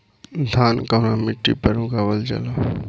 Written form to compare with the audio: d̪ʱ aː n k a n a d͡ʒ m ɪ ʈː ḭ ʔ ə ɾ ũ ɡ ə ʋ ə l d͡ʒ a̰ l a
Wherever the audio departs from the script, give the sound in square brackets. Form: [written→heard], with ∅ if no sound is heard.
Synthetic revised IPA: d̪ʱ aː n k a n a [d͡ʒ→∅] m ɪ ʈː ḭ [ʔ→p] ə ɾ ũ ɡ [ə→a] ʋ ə l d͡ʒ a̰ l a